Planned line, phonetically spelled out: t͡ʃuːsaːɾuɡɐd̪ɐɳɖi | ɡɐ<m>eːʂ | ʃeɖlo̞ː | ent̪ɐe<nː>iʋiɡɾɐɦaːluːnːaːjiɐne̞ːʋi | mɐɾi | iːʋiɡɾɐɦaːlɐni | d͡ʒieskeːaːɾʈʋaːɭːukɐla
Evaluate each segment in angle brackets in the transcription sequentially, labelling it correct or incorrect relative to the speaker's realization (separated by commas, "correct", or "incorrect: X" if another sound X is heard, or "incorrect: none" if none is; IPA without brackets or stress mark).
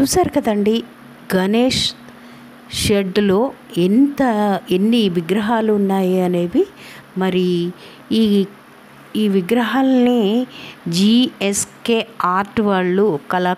incorrect: n, correct